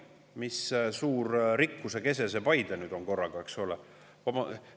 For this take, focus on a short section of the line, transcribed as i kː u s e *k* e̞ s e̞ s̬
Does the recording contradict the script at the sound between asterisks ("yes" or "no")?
no